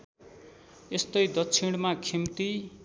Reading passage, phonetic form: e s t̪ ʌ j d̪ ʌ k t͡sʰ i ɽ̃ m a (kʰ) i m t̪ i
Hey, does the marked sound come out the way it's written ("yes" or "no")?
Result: yes